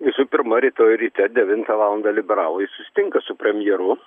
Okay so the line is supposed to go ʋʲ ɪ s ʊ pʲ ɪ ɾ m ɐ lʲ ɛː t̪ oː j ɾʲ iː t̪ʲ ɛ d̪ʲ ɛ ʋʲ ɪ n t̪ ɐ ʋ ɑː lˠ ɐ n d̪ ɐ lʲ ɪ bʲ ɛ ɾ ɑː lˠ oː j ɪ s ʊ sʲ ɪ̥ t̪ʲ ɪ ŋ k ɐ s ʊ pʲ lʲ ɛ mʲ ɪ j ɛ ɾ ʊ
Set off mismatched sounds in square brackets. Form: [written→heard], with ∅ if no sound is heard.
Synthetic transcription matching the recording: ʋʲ ɪ s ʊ pʲ ɪ ɾ m ɐ [lʲ→ɾʲ] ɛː t̪ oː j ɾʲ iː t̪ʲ ɛ d̪ʲ ɛ ʋʲ ɪ n t̪ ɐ ʋ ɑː lˠ ɐ n d̪ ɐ lʲ ɪ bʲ ɛ ɾ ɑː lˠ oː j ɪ s ʊ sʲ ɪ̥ t̪ʲ ɪ ŋ k ɐ s ʊ pʲ [lʲ→ɾʲ] ɛ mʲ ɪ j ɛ ɾ ʊ